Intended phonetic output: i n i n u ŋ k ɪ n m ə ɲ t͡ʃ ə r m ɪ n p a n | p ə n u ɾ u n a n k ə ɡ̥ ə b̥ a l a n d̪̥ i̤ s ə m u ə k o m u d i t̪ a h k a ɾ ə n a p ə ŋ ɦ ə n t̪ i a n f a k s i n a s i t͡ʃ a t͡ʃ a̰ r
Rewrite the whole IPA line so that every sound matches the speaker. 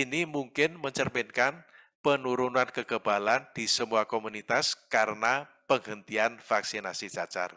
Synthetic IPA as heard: i n i m u ŋ k ɪ n m ə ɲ t͡ʃ ə r m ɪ n k a n | p ə n u ɾ u n a n k ə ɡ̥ ə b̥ a l a n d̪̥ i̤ s ə m u a k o m u n i t̪ a s k a ɾ ə n a p ə ŋ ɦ ə n t̪ i a n f a k s i n a s i t͡ʃ a t͡ʃ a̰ r